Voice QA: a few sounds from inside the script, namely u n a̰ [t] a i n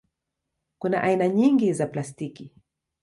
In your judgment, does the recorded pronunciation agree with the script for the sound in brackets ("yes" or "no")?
no